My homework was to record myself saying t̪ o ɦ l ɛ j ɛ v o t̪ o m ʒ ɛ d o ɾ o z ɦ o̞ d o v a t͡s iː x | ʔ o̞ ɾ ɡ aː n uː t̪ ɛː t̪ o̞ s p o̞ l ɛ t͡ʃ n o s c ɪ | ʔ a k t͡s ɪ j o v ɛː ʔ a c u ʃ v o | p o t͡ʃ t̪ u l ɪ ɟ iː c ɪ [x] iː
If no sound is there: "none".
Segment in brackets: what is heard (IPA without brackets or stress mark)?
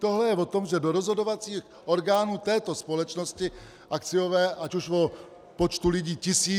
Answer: s